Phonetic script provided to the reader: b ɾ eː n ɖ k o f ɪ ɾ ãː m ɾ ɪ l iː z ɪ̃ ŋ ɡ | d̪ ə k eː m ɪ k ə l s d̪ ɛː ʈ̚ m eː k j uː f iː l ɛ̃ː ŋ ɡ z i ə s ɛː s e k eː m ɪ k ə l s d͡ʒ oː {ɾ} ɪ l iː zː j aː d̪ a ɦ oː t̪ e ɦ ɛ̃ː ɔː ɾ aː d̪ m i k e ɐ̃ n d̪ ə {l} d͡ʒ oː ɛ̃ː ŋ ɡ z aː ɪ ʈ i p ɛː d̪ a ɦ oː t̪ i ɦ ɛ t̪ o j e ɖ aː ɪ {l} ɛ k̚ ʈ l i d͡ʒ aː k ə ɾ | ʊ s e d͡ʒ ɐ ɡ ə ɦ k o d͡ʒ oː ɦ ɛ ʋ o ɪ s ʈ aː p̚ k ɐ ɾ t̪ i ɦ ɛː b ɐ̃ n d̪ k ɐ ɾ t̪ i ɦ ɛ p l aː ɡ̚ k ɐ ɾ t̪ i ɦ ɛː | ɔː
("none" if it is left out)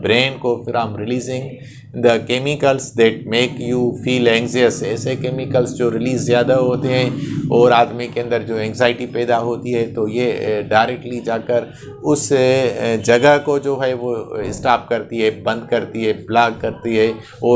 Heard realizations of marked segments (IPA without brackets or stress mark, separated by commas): ɾ, ɾ, ɾ